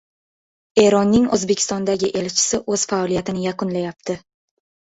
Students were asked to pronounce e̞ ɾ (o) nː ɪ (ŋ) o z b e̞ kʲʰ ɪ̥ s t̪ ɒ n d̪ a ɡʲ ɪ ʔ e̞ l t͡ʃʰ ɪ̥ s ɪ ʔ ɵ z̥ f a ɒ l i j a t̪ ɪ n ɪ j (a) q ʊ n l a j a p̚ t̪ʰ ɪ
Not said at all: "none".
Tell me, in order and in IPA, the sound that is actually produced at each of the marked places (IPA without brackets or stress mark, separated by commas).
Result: ɒ, ŋ, a